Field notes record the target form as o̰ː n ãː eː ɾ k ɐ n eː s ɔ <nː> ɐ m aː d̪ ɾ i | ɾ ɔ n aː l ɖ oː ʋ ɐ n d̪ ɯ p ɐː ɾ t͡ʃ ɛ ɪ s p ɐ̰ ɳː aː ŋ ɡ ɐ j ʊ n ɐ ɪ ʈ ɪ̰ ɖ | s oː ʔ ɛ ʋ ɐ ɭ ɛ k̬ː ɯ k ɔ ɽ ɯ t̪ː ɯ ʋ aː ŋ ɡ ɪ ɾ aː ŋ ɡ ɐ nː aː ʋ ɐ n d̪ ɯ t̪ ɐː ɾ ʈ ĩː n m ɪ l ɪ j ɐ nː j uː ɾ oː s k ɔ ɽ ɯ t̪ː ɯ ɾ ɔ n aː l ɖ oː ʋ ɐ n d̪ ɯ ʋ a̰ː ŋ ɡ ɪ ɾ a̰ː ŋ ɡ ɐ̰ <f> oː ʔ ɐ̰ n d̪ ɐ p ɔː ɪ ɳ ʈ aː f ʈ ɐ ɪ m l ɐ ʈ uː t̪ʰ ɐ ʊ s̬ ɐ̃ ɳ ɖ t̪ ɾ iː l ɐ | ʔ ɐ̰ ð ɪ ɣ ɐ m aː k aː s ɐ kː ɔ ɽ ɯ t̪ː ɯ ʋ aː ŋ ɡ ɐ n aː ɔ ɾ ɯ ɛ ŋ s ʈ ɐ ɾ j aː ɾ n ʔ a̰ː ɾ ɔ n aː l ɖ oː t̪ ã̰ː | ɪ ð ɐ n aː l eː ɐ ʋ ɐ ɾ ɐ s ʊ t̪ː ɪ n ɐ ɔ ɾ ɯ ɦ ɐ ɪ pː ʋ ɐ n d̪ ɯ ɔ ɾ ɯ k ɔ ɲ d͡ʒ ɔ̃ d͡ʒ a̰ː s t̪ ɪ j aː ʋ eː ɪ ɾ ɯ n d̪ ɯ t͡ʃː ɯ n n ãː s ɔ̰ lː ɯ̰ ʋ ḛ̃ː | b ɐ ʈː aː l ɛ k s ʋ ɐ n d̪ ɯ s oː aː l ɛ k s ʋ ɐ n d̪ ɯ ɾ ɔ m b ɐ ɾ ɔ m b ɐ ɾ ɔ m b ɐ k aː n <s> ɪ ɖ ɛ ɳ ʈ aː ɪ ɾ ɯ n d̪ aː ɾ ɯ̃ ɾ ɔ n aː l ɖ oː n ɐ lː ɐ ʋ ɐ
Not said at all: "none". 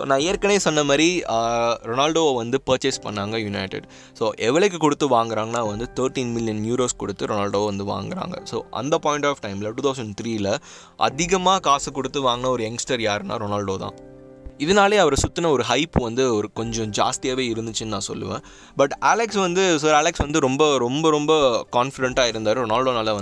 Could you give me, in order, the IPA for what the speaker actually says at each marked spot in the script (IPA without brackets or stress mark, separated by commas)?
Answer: nː, s, f